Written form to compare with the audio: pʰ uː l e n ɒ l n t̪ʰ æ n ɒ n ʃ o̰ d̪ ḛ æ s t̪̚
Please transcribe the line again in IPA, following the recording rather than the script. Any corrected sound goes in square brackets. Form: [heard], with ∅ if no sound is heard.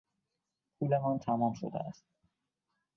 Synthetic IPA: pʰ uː l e [m] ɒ [∅] n t̪ʰ æ [m] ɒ [m] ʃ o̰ d̪ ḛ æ s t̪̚